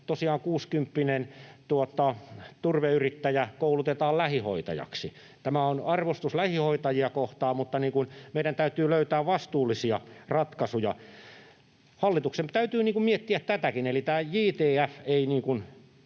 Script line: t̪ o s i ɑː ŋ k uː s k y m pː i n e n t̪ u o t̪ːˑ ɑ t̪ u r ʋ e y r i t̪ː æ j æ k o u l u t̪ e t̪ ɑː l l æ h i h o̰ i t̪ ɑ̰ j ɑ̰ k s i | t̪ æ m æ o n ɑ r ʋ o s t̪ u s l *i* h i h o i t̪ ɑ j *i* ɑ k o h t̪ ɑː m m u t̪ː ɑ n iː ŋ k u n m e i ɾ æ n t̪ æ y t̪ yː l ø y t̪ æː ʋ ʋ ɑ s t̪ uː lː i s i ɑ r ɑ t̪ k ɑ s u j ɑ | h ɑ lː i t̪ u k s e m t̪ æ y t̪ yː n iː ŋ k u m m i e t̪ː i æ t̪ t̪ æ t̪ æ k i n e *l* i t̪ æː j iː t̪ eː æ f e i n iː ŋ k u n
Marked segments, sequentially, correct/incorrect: incorrect, correct, correct

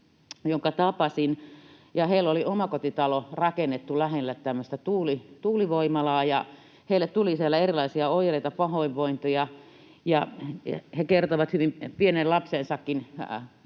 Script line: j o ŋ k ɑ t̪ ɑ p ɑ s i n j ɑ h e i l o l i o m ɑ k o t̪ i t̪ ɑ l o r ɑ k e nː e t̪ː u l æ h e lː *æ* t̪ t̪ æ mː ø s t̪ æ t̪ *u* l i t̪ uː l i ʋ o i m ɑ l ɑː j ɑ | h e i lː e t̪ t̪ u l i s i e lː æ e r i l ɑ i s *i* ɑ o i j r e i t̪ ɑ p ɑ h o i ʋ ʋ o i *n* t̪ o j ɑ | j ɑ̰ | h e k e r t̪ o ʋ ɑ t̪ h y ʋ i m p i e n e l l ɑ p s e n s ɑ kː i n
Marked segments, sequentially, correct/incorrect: correct, incorrect, correct, correct

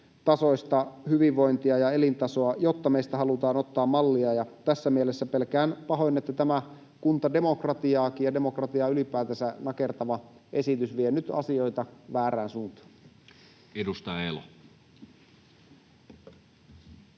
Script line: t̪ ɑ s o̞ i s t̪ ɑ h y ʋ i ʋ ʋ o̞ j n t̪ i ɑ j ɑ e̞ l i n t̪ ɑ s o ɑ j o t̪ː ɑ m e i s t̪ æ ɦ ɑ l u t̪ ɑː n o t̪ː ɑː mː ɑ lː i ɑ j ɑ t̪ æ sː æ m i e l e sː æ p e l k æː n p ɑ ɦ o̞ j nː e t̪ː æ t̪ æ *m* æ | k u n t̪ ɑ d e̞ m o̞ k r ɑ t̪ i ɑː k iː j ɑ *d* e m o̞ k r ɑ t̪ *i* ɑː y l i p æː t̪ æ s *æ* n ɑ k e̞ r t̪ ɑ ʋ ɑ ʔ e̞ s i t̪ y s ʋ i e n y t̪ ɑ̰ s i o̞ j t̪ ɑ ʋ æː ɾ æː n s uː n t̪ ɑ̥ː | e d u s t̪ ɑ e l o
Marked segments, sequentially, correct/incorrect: correct, correct, correct, correct

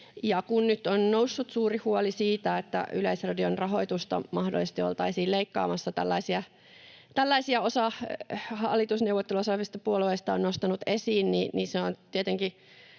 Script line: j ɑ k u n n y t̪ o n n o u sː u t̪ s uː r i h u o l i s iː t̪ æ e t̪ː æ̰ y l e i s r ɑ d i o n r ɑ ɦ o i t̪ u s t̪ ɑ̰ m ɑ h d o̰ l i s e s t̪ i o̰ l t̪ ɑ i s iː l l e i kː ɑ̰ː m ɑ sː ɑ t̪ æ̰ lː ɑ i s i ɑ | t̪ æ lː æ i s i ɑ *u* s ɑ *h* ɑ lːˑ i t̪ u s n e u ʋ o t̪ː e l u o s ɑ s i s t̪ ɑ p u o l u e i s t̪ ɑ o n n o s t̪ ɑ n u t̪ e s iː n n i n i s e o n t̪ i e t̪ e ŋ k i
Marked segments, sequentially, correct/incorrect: incorrect, correct

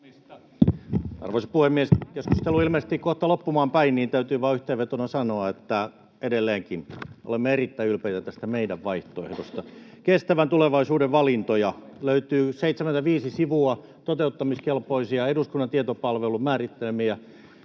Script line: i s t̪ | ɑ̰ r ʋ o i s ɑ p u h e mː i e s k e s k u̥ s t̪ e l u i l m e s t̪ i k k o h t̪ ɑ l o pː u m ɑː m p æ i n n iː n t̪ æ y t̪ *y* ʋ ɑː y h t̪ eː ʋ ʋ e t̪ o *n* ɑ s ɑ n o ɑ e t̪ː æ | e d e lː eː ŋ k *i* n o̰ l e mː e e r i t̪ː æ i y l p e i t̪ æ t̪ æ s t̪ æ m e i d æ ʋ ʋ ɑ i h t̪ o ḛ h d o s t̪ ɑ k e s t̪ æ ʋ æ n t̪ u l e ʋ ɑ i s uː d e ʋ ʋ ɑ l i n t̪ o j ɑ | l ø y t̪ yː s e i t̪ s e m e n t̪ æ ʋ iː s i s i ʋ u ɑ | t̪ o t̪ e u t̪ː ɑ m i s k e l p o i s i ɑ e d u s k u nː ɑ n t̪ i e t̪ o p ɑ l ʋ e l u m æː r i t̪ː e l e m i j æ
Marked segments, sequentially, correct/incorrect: incorrect, correct, correct

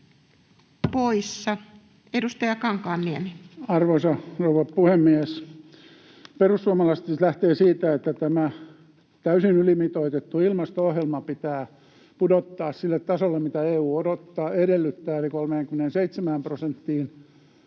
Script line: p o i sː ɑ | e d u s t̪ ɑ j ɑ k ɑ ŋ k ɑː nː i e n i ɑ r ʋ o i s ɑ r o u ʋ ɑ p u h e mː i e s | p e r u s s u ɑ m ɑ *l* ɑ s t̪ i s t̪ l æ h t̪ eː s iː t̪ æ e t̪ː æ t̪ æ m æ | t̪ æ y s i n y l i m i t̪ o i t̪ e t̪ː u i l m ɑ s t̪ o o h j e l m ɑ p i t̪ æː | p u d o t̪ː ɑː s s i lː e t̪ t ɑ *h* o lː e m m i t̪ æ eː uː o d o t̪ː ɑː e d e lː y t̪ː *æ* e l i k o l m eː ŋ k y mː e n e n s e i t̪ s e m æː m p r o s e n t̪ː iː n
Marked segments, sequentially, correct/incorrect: correct, incorrect, incorrect

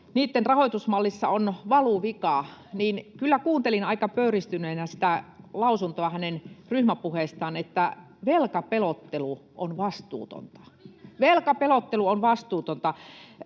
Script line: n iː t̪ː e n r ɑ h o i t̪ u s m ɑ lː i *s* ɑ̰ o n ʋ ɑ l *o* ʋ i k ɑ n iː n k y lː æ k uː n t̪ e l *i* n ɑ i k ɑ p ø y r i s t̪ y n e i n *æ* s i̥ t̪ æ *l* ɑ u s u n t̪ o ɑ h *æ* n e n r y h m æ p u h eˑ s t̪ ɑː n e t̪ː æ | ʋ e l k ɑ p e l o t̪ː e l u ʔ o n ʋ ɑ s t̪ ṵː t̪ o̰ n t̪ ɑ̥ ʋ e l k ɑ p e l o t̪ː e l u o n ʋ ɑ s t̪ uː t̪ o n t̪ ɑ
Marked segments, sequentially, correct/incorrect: incorrect, incorrect, correct, correct, correct, correct

